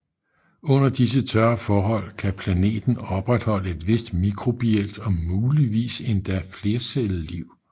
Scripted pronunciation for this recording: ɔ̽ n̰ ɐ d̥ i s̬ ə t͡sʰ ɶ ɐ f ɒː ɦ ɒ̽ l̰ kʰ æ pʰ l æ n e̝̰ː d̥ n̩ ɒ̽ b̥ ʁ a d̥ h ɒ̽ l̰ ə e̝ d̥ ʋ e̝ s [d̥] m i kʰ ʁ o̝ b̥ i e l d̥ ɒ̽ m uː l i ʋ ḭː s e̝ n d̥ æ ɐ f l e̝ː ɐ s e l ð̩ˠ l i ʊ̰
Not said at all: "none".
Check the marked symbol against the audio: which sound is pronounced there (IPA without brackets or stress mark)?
d̥